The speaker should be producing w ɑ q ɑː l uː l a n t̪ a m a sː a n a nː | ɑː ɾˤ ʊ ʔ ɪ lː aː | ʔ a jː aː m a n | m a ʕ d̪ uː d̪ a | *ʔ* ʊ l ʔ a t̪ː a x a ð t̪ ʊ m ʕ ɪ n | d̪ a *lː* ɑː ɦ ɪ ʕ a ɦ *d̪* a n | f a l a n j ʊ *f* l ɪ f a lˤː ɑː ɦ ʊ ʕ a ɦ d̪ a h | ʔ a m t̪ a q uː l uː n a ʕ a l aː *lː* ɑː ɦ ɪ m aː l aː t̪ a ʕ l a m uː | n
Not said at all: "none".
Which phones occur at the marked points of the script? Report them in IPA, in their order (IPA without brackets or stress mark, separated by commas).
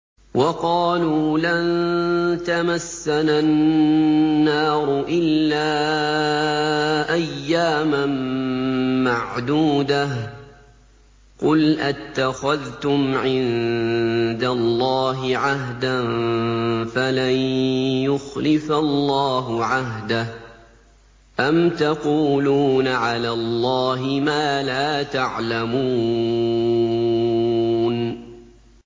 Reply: q, lː, d̪, x, lː